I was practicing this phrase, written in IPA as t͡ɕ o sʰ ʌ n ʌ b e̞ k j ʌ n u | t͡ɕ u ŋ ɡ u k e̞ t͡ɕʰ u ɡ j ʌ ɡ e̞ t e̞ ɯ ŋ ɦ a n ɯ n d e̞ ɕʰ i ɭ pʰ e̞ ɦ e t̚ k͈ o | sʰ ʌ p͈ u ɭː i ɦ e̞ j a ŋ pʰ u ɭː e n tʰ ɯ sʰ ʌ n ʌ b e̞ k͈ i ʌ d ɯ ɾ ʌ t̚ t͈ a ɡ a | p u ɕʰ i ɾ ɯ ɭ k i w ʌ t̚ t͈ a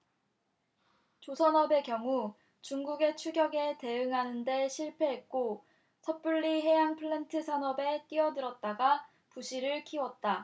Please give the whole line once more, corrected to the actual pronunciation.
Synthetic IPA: t͡ɕ o sʰ ʌ n ʌ b e̞ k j ʌ ŋ u | t͡ɕ u ŋ ɡ u ɡ e̞ t͡ɕʰ u ɡ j ʌ ɡ e̞ t e̞ ɯ ŋ ɦ a n ɯ n d e̞ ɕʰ i ɭ pʰ e̞ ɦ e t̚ k͈ o | sʰ ʌ p͈ u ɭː i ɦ e̞ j a ŋ pʰ ɯ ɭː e n tʰ ɯ sʰ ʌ n ʌ b e̞ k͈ i ʌ d ɯ ɾ ʌ t̚ t͈ a ɡ a | p u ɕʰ i ɾ ɯ ɭ kʰ i w ʌ t̚ t͈ a